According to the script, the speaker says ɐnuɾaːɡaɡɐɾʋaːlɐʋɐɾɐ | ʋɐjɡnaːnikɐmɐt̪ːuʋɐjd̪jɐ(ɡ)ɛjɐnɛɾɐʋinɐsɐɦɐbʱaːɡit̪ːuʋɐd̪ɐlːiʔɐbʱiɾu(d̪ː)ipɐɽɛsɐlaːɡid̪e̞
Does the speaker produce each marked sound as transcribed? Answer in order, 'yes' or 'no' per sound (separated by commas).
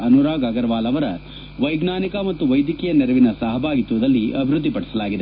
no, yes